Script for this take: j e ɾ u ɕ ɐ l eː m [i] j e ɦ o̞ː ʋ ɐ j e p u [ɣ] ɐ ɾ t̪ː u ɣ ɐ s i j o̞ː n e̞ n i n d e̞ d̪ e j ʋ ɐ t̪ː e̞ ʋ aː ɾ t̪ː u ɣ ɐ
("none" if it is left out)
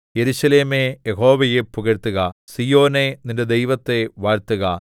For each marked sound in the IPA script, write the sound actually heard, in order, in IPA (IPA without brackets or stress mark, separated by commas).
e, ɣ